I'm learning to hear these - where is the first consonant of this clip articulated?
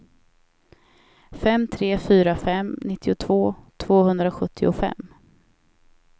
lips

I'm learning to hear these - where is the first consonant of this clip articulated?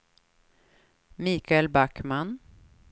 lips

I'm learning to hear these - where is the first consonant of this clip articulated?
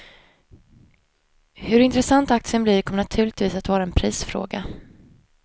throat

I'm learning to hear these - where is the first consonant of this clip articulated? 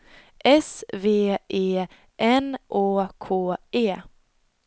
throat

